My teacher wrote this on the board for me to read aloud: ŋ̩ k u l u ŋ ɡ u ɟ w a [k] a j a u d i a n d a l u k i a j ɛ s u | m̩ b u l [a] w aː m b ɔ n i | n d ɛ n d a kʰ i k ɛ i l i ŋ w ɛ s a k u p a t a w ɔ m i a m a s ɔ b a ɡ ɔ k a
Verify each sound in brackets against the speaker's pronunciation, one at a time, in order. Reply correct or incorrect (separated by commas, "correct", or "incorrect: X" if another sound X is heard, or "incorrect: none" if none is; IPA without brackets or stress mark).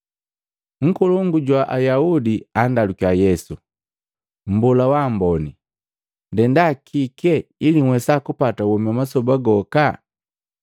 incorrect: ʔ, correct